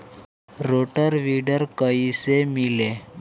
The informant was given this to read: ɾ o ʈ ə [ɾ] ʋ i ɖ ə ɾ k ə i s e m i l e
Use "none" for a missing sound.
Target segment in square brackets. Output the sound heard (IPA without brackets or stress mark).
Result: ɾ